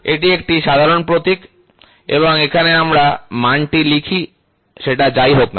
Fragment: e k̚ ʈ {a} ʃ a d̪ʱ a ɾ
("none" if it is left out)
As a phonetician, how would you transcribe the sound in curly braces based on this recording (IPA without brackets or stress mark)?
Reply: i